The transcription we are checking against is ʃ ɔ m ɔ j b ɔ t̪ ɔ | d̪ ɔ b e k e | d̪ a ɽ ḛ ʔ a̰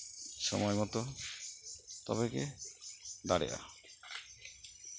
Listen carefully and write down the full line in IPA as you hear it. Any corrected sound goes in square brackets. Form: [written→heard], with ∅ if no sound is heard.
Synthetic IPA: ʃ ɔ m ɔ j [b→m] ɔ t̪ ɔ | [d̪→t̪] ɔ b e k e | d̪ a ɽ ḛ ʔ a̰